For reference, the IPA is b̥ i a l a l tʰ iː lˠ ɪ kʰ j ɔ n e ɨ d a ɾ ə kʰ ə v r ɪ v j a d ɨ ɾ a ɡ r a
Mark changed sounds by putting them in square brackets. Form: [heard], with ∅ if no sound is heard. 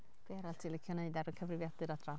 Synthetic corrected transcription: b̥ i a [ɾ] a l tʰ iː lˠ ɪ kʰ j ɔ n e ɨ d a ɾ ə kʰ ə v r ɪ v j a d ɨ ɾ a [d] r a

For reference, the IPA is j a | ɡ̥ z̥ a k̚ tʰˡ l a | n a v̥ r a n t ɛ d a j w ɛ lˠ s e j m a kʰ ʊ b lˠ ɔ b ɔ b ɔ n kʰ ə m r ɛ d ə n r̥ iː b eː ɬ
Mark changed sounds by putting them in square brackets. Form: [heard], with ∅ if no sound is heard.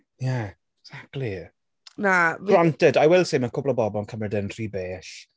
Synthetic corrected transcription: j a | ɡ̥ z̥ a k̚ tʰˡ l [i] | n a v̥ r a n t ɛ d a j w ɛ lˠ s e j m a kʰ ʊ b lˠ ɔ b ɔ b ɔ n kʰ ə m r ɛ d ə n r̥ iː b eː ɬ

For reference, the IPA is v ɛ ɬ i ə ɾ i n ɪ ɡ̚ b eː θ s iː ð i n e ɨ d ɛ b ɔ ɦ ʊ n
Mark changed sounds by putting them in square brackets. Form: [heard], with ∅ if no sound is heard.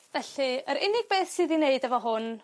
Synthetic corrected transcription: v ɛ ɬ i ə ɾ [ɪ] n ɪ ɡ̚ b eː θ s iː ð i n e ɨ d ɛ [v] ɔ ɦ ʊ n

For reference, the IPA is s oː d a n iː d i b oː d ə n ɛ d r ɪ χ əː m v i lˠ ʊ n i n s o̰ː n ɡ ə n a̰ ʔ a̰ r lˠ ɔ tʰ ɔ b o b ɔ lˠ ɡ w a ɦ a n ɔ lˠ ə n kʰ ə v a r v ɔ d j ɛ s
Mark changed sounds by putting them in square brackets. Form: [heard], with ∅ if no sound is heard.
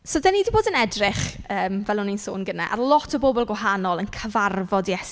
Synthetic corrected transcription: s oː d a n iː d i b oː d ə n ɛ d r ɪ χ əː m v [ɛ] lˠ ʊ n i n s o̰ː n ɡ ə n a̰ ʔ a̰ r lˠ ɔ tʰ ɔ b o b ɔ lˠ ɡ w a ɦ a n ɔ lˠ ə n kʰ ə v a r v ɔ d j ɛ s

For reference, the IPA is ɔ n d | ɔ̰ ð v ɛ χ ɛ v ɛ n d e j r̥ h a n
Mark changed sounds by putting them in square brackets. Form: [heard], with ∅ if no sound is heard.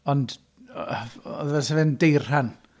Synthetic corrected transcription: ɔ n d | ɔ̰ ð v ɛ [s] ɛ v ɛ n d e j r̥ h a n

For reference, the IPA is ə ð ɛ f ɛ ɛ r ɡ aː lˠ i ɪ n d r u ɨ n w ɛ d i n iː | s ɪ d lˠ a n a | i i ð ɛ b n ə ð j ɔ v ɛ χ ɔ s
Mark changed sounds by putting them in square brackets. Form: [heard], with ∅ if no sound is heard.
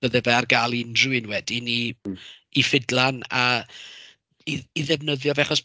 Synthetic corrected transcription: ə ð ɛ [v] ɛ [a] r ɡ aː lˠ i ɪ n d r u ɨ n w ɛ d i n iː | [f] ɪ d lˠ a n a | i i ð ɛ [v] n ə ð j ɔ v ɛ χ ɔ s

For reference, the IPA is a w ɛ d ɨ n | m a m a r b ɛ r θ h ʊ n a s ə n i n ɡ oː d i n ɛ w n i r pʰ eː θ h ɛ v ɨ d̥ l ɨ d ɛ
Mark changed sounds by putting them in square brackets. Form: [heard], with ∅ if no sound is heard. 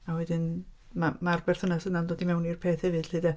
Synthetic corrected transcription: a w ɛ d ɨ n | m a m a r b ɛ r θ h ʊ n a s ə n [a] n [d] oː d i [m] ɛ w n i r pʰ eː θ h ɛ v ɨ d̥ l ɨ d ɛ

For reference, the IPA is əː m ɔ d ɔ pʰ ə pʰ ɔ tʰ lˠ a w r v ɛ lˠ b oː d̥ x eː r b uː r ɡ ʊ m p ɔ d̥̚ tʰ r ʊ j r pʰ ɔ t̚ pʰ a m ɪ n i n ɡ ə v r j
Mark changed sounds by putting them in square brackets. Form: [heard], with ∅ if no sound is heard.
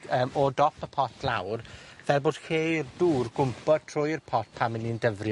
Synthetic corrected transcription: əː m ɔ d ɔ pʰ ə pʰ ɔ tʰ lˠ a w r v ɛ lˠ b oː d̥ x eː r [d] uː r ɡ ʊ m p ɔ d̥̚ tʰ r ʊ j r pʰ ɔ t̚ pʰ a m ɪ n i n [d] ə v r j

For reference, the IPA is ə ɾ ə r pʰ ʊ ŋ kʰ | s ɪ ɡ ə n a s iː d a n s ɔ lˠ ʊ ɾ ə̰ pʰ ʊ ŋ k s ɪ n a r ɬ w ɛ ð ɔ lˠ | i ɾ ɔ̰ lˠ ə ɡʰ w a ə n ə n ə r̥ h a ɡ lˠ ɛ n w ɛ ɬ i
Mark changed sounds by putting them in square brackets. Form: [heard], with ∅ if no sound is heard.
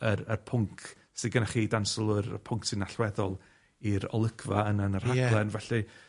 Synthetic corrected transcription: ə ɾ ə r pʰ ʊ ŋ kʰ | s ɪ ɡ ə n a [χ] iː d a n s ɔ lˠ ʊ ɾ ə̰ pʰ ʊ ŋ k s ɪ n a [∅] ɬ w ɛ ð ɔ lˠ | i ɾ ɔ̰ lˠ ə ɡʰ [v] a ə n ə n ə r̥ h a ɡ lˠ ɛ n [v] ɛ ɬ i

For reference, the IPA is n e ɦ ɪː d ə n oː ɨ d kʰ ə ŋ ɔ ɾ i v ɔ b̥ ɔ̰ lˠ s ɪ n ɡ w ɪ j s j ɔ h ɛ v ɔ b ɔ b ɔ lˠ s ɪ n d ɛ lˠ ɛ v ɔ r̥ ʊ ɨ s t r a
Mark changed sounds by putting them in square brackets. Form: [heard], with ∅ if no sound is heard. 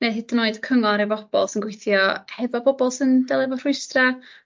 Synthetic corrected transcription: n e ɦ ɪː d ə n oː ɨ d kʰ ə ŋ ɔ ɾ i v ɔ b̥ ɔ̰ lˠ s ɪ n ɡ w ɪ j [θ] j ɔ h ɛ v ɔ b ɔ b ɔ lˠ s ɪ n d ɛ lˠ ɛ v ɔ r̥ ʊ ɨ s t r a

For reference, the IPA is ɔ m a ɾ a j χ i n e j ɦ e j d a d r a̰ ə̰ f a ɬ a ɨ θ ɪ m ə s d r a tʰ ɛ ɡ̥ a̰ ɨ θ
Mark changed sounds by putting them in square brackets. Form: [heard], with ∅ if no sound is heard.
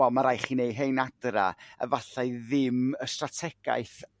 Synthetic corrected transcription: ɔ m a ɾ a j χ i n e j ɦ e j [n] a d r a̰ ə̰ [v] a ɬ a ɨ [ð] ɪ m ə s [t] r a tʰ ɛ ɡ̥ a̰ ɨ θ

